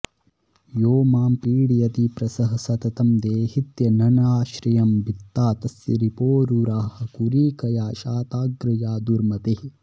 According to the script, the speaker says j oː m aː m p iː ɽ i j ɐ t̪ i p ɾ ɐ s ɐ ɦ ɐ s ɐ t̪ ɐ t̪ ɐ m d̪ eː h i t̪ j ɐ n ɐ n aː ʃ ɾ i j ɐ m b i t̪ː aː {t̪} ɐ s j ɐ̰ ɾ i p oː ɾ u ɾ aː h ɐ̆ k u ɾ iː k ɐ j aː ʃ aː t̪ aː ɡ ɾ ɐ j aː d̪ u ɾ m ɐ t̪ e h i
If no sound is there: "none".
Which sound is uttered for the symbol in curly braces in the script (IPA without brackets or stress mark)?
t̪